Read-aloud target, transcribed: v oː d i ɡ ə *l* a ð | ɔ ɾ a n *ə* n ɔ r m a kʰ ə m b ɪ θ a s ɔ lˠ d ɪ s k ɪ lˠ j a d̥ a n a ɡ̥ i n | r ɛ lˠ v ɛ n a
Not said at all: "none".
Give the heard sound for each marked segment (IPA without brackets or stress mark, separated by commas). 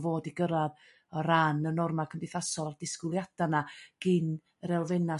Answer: ɾ, ə